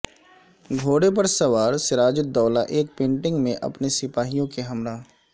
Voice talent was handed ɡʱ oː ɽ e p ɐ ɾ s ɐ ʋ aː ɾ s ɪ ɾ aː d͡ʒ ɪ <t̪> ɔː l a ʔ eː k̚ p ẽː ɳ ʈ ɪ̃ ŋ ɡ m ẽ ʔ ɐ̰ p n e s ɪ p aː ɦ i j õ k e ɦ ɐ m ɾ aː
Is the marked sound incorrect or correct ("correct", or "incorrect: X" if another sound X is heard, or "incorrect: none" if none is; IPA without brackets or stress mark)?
incorrect: d̪